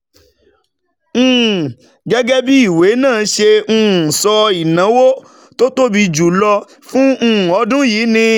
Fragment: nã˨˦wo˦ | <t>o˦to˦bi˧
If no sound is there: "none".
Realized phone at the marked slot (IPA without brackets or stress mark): t